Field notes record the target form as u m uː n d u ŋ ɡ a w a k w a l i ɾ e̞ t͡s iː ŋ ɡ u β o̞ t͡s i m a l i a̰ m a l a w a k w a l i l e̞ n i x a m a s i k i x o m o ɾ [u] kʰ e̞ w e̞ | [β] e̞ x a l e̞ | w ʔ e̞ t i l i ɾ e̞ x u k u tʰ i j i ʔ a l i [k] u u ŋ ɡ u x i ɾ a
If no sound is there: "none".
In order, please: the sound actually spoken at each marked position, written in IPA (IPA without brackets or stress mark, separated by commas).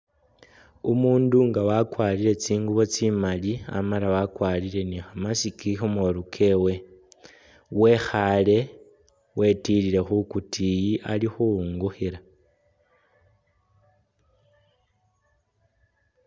u, w, x